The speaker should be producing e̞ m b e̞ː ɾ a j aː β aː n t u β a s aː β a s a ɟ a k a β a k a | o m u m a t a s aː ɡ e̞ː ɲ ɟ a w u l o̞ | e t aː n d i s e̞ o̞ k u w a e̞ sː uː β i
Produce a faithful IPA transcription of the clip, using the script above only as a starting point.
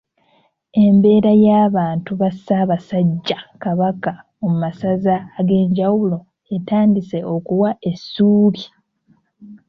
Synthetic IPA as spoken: e̞ m b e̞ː ɾ a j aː β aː n t u β a s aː β a s a ɟː a k a β a k a | o m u m a s a z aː ɡ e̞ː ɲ ɟ a w u l o̞ | e t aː n d i s e̞ o̞ k u w a e̞ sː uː β i